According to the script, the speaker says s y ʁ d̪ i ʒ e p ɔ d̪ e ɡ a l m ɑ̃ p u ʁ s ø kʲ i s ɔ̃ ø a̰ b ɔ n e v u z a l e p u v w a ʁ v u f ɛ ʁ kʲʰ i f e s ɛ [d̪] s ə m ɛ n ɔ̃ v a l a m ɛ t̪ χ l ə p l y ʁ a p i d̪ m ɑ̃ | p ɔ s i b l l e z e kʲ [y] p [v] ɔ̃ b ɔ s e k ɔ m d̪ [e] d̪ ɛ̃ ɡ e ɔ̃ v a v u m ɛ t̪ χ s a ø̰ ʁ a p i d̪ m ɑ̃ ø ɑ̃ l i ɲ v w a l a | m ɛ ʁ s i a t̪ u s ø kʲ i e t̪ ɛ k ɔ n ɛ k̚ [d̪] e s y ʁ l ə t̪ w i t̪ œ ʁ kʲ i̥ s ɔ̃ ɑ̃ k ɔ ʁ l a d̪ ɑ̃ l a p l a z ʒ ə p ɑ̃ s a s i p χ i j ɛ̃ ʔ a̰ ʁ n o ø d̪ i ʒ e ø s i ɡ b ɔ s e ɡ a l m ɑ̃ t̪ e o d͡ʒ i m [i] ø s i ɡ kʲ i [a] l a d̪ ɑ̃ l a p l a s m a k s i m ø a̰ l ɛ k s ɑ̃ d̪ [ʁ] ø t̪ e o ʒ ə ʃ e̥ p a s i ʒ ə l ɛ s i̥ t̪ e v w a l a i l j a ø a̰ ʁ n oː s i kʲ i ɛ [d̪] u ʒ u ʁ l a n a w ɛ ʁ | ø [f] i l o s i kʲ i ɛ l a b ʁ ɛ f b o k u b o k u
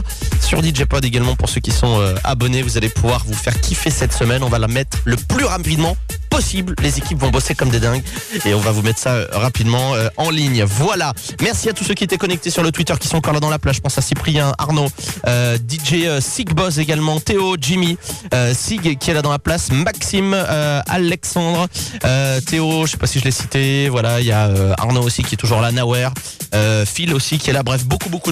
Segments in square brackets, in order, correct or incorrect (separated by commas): incorrect, incorrect, correct, correct, incorrect, correct, incorrect, correct, incorrect, correct